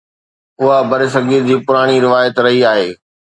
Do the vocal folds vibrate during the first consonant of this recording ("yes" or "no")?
yes